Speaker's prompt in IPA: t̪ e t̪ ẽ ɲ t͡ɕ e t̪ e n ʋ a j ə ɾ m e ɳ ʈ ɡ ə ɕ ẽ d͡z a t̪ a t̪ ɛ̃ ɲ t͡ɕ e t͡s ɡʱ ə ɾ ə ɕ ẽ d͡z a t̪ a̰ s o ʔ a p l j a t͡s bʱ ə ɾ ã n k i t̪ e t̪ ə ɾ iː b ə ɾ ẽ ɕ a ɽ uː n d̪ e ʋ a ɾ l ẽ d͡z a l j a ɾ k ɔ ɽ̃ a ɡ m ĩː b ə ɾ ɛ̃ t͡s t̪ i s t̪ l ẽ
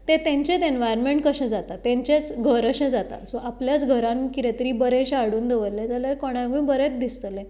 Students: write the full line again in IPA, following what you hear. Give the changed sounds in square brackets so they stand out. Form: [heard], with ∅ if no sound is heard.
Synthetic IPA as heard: t̪ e t̪ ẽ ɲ t͡ɕ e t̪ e n ʋ a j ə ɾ m e ɳ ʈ [k] ə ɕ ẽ d͡z a t̪ a t̪ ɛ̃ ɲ t͡ɕ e t͡s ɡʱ ə ɾ ə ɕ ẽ d͡z a t̪ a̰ s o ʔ a p l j a t͡s [ɡʱ] ə ɾ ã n k i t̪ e t̪ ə ɾ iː b ə ɾ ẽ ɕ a ɽ uː n d̪ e ʋ [ə] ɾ l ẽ d͡z a l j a ɾ k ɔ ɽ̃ a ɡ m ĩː b ə ɾ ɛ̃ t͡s [d̪] i s t̪ l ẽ